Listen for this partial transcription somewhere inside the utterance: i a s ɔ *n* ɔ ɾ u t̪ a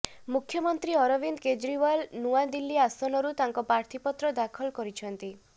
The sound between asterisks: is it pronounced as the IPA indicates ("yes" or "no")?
yes